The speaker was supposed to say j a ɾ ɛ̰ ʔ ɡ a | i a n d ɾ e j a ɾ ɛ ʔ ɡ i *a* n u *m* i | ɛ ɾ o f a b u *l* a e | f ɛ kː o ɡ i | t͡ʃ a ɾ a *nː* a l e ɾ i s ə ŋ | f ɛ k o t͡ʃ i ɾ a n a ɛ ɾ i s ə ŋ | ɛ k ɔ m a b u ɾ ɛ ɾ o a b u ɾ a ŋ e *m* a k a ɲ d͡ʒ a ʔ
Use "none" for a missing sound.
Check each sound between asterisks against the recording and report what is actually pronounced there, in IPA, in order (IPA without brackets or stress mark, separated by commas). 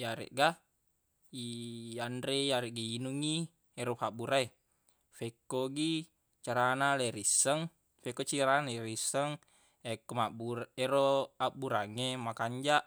i, ŋ, ɾ, n, m